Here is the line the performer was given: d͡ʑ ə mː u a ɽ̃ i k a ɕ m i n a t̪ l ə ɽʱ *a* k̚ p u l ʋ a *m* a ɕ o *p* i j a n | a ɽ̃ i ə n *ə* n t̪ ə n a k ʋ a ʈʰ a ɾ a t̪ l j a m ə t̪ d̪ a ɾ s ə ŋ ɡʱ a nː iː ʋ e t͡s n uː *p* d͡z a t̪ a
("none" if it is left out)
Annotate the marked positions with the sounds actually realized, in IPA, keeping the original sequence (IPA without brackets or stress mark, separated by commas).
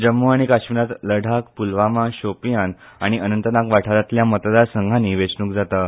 a, m, p, ə, k